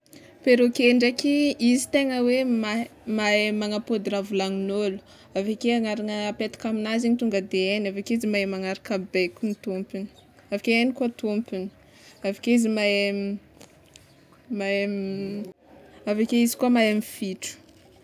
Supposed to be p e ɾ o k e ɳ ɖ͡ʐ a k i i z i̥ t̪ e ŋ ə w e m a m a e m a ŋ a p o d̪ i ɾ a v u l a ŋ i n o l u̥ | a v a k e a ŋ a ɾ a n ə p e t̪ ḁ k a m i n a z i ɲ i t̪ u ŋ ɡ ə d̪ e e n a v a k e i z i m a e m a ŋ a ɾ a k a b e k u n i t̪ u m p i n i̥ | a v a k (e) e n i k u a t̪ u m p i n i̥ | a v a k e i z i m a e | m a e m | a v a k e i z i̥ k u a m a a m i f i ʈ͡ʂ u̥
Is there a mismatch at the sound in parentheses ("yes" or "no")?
no